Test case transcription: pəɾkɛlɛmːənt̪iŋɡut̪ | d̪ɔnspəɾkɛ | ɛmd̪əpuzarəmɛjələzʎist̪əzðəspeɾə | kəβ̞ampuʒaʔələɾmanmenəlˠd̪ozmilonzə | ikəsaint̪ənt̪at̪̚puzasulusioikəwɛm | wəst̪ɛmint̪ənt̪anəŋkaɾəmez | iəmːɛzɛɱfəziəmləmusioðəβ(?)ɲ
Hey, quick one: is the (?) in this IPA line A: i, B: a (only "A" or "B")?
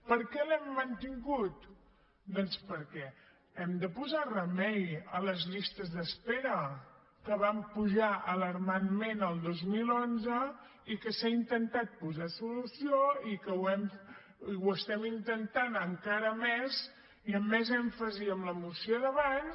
B